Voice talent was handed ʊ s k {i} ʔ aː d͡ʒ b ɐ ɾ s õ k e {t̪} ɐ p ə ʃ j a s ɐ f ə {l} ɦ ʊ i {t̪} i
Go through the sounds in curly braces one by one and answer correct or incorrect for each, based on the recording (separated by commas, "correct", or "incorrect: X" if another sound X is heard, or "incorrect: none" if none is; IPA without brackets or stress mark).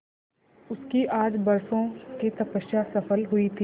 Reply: correct, correct, correct, incorrect: t̪ʰ